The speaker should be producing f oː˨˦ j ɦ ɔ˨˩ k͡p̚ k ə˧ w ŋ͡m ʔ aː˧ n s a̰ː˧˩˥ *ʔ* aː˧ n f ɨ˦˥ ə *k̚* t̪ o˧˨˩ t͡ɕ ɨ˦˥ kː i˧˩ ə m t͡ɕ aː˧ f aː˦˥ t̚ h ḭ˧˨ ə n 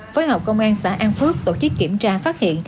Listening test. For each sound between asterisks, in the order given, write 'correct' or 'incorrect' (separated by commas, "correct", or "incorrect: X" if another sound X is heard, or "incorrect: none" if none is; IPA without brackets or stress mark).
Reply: correct, correct